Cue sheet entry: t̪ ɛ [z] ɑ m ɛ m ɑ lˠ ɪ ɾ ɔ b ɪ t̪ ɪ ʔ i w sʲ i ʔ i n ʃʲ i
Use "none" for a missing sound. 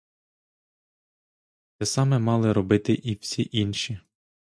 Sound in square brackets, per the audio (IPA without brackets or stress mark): s